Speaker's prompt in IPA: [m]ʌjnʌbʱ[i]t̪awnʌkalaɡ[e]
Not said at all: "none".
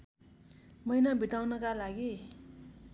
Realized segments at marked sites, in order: m, i, i

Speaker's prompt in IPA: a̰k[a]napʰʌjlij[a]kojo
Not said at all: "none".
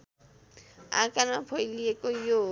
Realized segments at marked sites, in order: a, e

